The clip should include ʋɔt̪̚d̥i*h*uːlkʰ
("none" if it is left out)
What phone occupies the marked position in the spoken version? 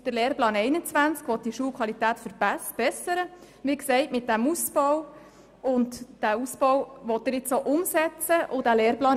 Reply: ʃ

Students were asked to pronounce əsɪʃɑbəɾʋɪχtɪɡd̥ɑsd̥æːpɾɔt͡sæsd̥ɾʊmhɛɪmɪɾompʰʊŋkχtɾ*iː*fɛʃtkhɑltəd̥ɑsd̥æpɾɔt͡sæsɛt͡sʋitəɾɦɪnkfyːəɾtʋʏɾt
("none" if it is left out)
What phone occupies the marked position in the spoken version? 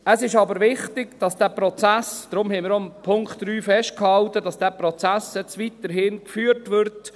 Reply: yː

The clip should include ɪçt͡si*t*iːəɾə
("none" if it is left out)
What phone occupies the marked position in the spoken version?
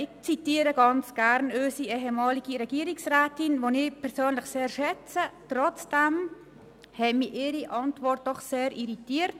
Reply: t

